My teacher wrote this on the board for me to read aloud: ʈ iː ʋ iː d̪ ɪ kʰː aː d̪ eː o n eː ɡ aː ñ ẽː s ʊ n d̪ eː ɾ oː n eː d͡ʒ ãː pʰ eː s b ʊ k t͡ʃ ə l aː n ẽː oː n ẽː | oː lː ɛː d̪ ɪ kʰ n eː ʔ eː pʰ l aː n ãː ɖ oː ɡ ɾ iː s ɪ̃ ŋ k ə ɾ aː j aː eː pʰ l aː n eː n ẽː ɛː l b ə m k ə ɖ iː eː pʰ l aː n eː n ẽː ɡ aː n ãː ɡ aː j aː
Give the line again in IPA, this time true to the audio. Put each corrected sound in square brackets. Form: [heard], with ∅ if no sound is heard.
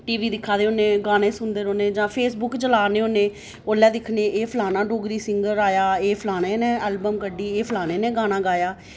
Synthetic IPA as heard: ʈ iː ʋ iː d̪ ɪ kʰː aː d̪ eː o n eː ɡ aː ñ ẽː s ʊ n d̪ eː ɾ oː n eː d͡ʒ ãː pʰ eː s b ʊ k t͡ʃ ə l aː n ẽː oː n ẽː | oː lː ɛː d̪ ɪ kʰ n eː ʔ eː pʰ l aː n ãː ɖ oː ɡ ɾ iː s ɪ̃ ŋ [ɡ] ə ɾ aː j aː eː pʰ l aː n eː n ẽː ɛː l b ə m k ə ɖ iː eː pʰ l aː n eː n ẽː ɡ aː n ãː ɡ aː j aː